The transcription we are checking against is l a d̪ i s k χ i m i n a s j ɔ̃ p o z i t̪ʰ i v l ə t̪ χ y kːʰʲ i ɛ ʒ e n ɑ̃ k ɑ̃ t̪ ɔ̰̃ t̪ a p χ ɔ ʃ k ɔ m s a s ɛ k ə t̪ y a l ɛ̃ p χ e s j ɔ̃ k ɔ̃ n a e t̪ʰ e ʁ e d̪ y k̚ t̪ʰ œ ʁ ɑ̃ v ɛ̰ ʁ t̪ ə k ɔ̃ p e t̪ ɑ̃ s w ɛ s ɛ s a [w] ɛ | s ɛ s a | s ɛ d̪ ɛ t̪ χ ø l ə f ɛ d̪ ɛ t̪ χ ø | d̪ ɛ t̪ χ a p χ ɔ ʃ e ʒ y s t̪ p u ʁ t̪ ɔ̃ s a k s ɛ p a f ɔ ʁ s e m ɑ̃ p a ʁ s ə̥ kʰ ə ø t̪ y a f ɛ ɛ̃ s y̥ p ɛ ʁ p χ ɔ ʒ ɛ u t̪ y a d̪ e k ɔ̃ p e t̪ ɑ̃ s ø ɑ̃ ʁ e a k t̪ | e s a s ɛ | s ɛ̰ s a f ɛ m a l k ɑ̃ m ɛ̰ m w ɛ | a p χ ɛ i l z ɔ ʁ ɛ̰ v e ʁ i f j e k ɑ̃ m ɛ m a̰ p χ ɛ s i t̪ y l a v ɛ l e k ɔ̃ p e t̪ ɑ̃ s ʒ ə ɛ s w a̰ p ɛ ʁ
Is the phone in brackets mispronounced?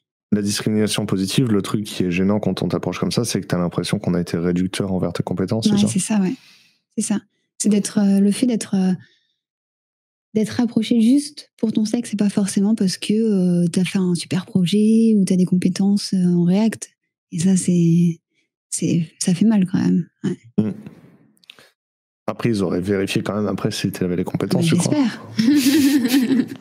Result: no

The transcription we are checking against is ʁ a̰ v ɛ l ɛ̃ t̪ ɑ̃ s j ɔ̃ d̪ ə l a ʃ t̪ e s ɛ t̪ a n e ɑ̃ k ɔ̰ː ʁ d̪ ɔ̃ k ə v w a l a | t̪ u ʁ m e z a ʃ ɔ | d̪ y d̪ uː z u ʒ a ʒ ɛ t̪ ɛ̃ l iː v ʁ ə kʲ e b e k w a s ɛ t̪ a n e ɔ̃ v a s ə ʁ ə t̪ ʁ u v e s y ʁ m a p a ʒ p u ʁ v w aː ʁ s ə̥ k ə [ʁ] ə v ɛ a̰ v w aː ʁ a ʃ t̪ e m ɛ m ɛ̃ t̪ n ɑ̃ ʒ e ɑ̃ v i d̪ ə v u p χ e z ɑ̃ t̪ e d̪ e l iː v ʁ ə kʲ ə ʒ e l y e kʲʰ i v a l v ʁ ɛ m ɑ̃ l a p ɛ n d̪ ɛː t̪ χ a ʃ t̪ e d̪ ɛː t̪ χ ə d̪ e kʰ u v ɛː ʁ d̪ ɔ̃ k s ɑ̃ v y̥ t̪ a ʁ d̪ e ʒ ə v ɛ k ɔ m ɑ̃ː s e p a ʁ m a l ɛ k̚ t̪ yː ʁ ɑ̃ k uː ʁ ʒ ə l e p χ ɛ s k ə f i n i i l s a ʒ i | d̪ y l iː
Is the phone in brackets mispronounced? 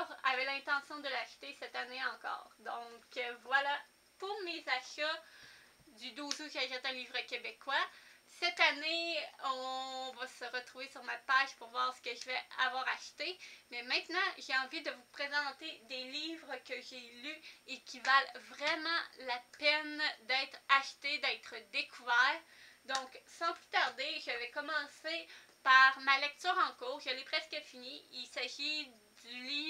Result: yes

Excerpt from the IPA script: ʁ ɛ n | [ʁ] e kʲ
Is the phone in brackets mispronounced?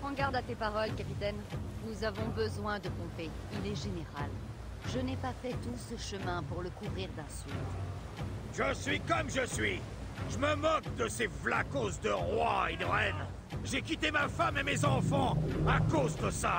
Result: yes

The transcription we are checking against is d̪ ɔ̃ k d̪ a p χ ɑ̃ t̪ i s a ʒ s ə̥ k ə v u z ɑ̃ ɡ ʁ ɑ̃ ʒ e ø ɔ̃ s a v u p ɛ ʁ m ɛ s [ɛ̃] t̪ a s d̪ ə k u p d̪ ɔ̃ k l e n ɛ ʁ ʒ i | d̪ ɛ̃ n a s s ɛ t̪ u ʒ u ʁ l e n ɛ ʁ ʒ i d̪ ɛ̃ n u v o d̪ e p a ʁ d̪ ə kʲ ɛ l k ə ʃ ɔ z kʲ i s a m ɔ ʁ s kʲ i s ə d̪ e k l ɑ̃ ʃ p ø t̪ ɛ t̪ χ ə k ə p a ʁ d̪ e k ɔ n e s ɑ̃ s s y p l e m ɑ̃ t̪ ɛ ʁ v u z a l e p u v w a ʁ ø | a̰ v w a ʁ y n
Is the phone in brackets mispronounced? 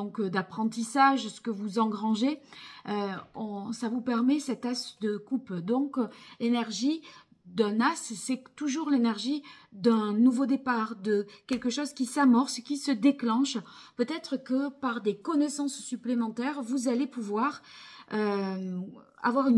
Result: yes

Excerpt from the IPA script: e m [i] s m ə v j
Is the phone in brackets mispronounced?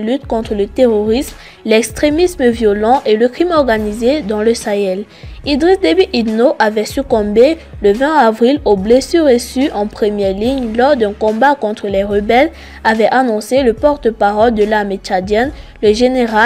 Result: no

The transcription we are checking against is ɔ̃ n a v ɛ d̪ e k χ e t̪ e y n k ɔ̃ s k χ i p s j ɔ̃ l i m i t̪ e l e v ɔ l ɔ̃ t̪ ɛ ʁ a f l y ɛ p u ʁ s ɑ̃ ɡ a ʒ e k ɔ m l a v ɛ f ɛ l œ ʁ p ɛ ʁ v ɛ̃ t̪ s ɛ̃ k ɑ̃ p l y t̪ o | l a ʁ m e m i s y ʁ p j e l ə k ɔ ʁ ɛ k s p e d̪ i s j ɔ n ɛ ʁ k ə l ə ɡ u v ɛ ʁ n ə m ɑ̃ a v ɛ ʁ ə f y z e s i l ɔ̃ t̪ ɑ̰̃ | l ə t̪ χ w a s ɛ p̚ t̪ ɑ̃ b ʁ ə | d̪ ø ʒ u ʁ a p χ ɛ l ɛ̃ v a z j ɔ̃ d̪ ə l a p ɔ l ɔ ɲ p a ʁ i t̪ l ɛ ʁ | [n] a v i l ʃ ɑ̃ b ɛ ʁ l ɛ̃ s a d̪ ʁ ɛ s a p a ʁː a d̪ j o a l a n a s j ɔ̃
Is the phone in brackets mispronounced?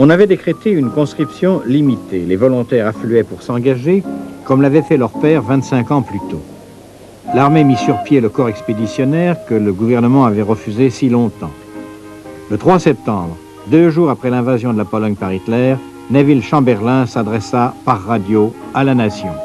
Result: no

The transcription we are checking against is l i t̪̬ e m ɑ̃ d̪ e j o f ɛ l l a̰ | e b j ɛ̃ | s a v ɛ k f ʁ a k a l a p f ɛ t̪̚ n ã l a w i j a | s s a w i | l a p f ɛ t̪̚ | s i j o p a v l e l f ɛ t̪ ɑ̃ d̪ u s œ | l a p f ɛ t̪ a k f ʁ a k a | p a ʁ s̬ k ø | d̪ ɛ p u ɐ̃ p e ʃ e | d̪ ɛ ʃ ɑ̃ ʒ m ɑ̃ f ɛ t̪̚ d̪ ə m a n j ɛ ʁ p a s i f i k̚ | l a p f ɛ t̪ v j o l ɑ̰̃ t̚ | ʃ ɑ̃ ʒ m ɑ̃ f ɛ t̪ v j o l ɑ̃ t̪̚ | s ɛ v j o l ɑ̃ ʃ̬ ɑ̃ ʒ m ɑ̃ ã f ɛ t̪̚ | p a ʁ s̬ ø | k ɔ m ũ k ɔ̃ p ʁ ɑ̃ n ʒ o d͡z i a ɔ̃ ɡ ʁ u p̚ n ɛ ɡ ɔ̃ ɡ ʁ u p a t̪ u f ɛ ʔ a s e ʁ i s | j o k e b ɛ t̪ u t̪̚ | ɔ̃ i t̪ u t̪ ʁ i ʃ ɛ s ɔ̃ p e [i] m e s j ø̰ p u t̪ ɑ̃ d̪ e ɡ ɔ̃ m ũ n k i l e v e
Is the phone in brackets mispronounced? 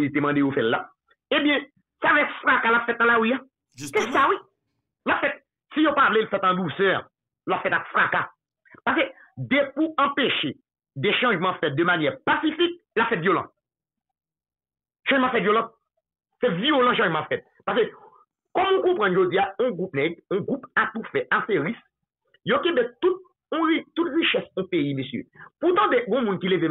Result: no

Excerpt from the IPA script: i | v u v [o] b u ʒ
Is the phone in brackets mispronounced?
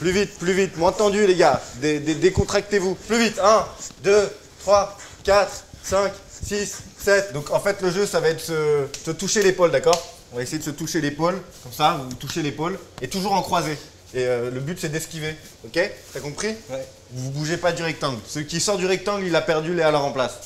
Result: yes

